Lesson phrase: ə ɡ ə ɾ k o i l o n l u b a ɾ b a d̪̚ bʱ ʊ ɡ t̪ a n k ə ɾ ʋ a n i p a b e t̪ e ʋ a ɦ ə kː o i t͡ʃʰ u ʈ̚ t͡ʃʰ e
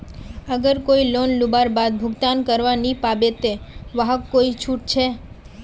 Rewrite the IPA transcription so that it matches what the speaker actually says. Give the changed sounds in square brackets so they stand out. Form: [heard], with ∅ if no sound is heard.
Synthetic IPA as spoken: ə ɡ ə ɾ k o i l o n l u b a ɾ b a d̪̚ bʱ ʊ ɡ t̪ a n k ə ɾ ʋ a n i p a b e t̪ e ʋ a ɦ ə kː o i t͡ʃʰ u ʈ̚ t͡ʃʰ e